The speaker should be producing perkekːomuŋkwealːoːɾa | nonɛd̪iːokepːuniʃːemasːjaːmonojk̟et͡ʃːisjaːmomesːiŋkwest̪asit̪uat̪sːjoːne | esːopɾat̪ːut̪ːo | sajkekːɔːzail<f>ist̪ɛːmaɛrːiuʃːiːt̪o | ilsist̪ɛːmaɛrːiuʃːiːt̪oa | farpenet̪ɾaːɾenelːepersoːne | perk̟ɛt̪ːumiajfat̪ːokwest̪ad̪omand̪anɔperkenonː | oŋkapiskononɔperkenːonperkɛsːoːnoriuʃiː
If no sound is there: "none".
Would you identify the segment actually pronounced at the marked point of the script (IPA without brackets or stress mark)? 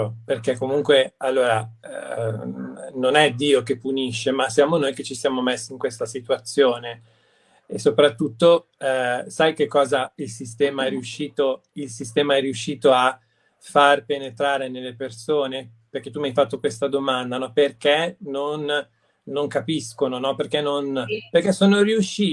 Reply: s